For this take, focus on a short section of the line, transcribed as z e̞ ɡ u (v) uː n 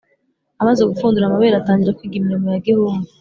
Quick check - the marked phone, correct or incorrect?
incorrect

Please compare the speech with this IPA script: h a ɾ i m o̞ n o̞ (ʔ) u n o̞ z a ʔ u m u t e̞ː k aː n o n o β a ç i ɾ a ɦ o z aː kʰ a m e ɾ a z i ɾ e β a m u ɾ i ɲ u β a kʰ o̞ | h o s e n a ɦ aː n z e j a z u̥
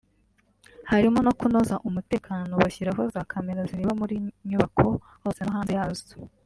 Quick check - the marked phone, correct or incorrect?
incorrect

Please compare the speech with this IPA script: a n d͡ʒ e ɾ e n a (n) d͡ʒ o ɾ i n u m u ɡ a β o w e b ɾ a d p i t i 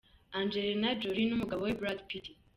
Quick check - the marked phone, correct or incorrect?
incorrect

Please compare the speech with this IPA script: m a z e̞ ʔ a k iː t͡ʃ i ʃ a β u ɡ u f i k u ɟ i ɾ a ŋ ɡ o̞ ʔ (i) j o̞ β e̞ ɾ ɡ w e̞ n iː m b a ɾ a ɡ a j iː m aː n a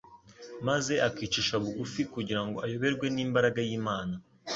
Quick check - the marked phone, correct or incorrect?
incorrect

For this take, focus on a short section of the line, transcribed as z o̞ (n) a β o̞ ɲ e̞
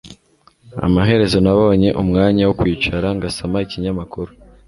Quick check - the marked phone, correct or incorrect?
correct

